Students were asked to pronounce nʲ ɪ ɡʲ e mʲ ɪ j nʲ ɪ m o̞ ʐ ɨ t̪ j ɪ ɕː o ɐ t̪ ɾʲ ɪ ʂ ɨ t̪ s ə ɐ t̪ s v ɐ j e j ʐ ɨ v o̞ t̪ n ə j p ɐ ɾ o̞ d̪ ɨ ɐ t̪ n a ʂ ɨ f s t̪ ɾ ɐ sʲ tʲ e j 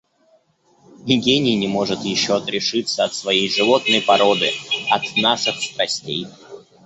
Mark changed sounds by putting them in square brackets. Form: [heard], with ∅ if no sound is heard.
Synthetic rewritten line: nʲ ɪ ɡʲ e [nʲ] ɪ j nʲ ɪ m o̞ ʐ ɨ t̪ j ɪ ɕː o ɐ t̪ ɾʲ ɪ ʂ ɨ t̪ s ə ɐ t̪ s v ɐ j e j ʐ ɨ v o̞ t̪ n ə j p ɐ ɾ o̞ d̪ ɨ ɐ t̪ n a ʂ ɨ [x] s t̪ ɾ ɐ sʲ tʲ e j